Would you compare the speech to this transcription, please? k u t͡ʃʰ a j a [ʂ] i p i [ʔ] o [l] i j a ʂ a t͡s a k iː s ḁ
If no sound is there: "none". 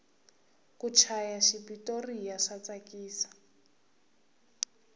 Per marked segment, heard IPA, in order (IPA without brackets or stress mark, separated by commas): ʃ, t, r